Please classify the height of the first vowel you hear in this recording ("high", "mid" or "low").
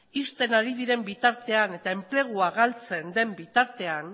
high